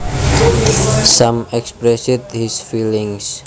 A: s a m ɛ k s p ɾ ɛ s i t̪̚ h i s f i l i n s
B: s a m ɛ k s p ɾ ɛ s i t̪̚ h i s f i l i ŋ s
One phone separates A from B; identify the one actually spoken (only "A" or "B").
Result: B